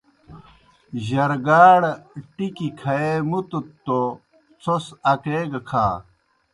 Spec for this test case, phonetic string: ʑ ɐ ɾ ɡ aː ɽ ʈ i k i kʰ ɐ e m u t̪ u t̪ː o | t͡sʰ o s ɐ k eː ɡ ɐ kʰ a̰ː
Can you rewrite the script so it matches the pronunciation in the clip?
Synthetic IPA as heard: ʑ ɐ ɾ ɡ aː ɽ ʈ i k i kʰ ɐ e m u t̪ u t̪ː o | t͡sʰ o s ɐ k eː ɡ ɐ kʰ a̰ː